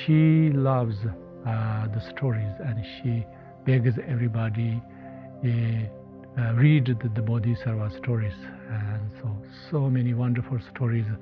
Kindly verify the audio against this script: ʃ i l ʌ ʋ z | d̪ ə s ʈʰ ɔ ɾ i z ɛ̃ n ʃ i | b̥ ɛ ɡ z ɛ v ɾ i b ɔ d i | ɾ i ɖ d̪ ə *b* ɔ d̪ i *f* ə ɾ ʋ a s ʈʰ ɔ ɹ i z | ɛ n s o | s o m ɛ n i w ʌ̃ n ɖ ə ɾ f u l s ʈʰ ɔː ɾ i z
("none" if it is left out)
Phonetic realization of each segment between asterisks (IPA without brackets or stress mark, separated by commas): b, s